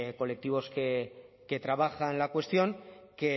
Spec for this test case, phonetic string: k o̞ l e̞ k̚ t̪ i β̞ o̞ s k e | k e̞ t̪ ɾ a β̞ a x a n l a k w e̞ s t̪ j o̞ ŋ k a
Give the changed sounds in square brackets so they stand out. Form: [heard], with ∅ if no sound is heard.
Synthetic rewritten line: k o̞ l e̞ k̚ t̪ i β̞ o̞ s k e | k e̞ t̪ ɾ a β̞ a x a n l a k w e̞ s t̪ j o̞ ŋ k [e]